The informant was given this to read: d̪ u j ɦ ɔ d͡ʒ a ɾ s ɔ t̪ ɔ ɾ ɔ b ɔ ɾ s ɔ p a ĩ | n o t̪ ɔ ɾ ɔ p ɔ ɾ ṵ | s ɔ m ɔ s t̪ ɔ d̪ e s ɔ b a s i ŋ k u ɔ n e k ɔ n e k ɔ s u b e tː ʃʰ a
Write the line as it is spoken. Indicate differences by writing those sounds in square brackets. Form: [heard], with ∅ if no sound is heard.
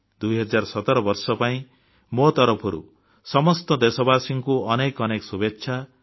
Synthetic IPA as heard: d̪ u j ɦ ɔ d͡ʒ a ɾ s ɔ t̪ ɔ ɾ ɔ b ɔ ɾ s ɔ p a ĩ | [m] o t̪ ɔ ɾ ɔ [pʰ] ɔ ɾ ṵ | s ɔ m ɔ s t̪ ɔ d̪ e s ɔ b a s i ŋ k u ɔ n e k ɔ n e k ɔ s u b e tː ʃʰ a